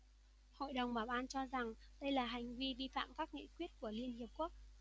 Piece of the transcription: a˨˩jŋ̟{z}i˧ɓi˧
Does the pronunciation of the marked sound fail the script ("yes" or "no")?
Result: yes